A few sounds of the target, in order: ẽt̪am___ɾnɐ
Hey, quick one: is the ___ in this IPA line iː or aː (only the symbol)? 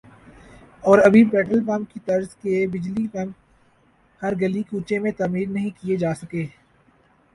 iː